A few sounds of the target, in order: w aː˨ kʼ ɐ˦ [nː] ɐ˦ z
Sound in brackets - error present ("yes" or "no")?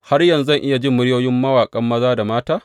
yes